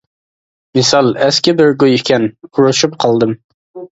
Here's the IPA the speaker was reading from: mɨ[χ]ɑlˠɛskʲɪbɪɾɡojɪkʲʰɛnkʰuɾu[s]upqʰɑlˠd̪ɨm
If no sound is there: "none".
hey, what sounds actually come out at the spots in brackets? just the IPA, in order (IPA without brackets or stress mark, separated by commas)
s, ʃ